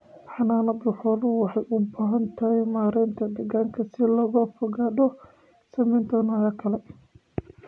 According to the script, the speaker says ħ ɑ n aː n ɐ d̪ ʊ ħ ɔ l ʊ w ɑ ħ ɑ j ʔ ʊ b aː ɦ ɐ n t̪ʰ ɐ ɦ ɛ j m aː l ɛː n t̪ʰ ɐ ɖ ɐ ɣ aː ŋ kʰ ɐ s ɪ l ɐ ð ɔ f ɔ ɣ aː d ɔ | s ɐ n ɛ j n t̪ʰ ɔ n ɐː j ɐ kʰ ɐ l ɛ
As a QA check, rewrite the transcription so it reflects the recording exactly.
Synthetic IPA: ħ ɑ n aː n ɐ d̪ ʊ ħ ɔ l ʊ w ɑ ħ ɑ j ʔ ʊ b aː ɦ ɐ n t̪ʰ ɐ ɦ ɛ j m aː ɾ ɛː n t̪ʰ ɐ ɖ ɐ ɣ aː ŋ kʰ ɐ s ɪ l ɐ ɣ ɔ f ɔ ɣ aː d ɔ | s ɐ m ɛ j n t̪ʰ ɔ n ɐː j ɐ kʰ ɐ l ɛ